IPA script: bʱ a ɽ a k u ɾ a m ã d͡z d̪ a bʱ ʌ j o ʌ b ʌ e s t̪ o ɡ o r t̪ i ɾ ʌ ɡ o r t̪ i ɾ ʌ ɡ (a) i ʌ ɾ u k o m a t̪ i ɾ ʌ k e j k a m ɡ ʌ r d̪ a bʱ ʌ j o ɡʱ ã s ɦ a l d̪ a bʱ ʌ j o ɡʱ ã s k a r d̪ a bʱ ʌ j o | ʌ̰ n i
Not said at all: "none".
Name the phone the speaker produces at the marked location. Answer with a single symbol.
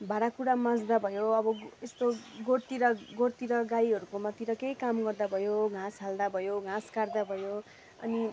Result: a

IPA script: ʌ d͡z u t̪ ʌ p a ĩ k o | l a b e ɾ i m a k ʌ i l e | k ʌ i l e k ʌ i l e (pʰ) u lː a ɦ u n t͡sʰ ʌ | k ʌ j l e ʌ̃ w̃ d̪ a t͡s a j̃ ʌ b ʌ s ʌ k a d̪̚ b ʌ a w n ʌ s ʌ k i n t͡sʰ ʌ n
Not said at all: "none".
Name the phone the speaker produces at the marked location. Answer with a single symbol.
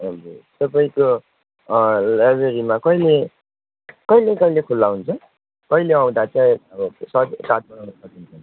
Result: kʰ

